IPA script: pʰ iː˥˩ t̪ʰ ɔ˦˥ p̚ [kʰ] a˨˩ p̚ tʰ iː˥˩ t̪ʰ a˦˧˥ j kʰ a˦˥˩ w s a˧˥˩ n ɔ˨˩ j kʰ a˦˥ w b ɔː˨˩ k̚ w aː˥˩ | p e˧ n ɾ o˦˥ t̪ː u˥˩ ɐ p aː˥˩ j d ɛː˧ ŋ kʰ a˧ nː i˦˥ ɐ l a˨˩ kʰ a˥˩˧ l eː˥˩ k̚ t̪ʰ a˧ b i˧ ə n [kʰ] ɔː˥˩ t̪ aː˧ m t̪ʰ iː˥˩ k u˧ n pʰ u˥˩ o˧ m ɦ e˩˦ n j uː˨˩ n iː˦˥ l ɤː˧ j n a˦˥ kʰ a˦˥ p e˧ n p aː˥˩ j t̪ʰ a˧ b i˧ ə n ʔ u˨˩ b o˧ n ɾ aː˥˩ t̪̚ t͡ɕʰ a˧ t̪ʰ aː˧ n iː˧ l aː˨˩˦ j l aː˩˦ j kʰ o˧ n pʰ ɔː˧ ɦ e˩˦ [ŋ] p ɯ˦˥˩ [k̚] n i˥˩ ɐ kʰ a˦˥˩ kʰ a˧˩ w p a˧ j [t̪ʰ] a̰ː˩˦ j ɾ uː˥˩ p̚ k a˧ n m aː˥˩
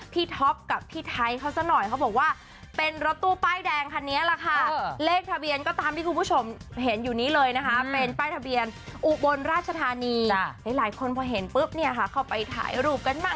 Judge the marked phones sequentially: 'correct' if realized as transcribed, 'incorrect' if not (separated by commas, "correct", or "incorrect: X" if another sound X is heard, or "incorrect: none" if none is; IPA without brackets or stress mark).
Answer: incorrect: k, incorrect: k, incorrect: n, incorrect: p̚, correct